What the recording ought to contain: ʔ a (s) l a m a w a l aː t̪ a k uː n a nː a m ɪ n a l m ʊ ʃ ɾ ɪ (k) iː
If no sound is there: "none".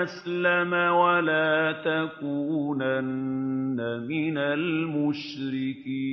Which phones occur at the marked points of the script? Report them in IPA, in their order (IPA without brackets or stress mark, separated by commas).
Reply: s, k